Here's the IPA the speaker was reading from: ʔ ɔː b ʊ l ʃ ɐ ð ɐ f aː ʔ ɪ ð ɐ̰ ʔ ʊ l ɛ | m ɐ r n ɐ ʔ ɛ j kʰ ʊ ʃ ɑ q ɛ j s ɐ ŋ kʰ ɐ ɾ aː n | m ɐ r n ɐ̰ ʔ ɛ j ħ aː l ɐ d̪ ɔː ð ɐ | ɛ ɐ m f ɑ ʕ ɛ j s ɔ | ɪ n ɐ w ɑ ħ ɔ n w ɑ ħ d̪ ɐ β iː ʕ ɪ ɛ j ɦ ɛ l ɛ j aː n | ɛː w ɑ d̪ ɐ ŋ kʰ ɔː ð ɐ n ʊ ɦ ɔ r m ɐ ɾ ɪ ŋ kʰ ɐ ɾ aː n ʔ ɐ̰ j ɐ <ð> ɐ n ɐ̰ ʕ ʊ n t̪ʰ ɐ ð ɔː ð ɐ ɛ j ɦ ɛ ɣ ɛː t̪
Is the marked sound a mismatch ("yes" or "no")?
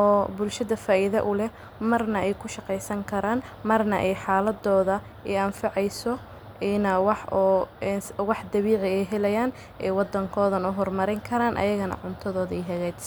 yes